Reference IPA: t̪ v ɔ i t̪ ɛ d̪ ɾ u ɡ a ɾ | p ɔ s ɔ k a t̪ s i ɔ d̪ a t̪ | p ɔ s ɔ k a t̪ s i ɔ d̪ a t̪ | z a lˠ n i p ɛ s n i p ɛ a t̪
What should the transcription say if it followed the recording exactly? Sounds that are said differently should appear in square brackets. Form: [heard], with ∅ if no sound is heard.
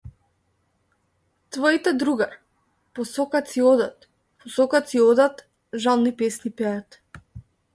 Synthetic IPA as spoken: t̪ v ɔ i t̪ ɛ d̪ ɾ u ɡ a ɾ | p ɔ s ɔ k a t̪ s i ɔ d̪ a t̪ | p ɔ s ɔ k a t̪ s i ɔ d̪ a t̪ | [ʒ] a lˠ n i p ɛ s n i p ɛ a t̪